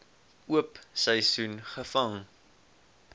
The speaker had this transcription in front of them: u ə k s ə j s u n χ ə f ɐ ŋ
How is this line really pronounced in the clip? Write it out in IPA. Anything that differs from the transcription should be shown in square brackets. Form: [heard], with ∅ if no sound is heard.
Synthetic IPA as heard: u ə [p] s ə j s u n χ ə f ɐ ŋ

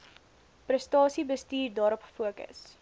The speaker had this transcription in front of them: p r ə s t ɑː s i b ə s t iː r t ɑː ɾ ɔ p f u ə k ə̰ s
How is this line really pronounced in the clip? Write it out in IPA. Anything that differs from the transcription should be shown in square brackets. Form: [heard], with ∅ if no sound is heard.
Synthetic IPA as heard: p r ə s t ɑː s i b ə s t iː r [d] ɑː ɾ ɔ p f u ə k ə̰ s

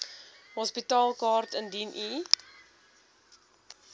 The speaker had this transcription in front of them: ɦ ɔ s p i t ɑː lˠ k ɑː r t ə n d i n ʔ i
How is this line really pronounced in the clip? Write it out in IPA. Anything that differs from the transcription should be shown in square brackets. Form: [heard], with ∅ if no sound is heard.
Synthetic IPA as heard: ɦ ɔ s p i t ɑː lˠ k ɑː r t ə n d i n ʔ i

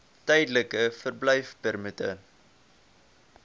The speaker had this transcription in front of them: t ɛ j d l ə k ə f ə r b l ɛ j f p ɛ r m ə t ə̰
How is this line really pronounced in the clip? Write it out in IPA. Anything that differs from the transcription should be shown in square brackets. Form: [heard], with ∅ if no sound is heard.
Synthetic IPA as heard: t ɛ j d l ə k ə f ə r b l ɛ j f p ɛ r m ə t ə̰

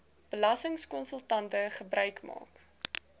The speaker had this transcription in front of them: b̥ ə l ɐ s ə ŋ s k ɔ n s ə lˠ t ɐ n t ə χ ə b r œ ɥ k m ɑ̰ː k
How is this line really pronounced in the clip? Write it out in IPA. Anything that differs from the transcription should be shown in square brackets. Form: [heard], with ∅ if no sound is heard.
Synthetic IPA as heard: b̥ ə l ɐ s ə ŋ s k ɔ n s ə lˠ t ɐ n t ə χ ə b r œ ɥ k m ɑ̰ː k

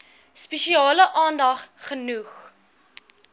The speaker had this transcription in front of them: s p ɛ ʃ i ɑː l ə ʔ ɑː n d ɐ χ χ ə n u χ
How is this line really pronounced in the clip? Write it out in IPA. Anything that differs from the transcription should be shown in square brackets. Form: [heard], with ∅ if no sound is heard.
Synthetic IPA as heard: s p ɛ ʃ i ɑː l ə ʔ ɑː n d ɐ χ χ ə n u χ

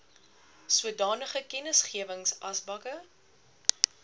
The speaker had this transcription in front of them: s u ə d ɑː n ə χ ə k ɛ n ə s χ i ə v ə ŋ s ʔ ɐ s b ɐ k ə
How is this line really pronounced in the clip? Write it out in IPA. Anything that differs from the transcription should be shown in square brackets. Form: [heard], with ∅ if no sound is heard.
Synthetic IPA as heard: s u ə d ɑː n ə χ ə k ɛ n ə s χ i ə v ə ŋ s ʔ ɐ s b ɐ k ə

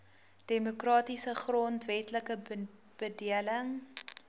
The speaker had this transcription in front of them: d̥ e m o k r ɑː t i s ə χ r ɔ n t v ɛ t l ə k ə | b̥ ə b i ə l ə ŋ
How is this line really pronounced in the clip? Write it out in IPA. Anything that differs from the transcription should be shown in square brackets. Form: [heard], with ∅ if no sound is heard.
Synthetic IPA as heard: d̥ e m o k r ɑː t i s ə χ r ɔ n t v ɛ t l ə k ə | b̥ ə [d] i ə l ə ŋ

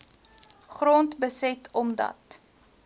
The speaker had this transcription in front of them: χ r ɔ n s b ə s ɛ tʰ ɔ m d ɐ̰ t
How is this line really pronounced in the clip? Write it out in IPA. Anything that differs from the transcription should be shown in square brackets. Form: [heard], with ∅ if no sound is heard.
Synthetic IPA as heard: χ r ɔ n [t] b ə s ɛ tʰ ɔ m d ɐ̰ t

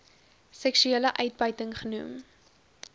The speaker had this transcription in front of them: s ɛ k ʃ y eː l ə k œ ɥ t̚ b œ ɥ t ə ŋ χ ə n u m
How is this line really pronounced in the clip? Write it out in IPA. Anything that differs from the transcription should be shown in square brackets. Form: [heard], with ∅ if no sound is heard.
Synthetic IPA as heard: s ɛ k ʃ y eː l ə [ʔ] œ ɥ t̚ b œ ɥ t ə ŋ χ ə n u m

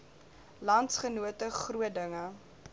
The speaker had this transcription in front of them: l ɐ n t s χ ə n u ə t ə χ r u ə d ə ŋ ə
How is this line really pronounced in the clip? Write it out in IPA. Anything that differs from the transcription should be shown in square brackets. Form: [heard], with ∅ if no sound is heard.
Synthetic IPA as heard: l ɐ n t s χ ə n u ə t ə χ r u ə d ə ŋ ə

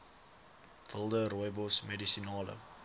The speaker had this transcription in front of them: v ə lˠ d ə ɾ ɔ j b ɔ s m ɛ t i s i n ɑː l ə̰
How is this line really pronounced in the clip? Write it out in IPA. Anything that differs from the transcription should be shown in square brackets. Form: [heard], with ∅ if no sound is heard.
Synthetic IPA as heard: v ə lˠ d ə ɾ ɔ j b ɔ s m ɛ [d] i s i n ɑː l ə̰

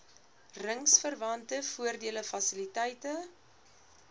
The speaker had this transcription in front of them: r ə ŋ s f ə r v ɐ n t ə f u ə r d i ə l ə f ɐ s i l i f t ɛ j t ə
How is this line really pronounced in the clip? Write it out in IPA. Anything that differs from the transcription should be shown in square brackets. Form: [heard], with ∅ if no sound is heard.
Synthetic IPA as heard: r ə ŋ s f ə r v ɐ n t ə f u ə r d i ə l ə f ɐ s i l i [∅] t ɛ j t ə

